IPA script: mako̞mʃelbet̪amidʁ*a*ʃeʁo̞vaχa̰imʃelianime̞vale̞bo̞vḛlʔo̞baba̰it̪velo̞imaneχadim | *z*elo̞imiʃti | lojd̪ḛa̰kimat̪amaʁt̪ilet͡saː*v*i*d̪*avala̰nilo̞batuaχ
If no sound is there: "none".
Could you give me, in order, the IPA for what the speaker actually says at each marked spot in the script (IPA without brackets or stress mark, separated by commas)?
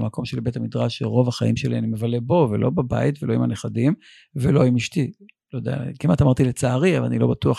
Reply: a, v, ʁ, none